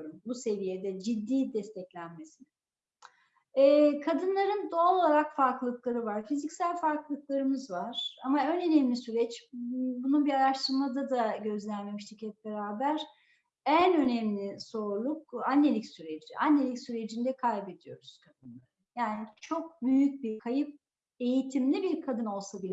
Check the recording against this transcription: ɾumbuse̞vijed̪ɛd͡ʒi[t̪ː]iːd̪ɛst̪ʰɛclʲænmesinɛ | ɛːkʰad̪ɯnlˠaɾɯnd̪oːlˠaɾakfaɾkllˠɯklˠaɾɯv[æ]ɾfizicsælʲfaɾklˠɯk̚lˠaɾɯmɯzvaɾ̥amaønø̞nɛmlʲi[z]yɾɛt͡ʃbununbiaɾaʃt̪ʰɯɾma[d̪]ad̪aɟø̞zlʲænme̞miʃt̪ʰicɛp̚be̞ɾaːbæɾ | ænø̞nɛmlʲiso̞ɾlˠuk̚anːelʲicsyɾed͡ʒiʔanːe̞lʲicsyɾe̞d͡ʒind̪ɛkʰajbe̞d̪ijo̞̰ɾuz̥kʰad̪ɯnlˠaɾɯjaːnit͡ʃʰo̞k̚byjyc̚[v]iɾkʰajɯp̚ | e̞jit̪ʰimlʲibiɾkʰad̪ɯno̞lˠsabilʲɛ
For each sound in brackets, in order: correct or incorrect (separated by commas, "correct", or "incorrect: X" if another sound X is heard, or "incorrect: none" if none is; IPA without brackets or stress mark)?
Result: incorrect: d̪ː, incorrect: a, incorrect: s, correct, incorrect: b